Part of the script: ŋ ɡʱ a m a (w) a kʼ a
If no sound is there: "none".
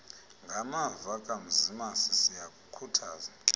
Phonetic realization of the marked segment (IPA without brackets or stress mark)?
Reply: v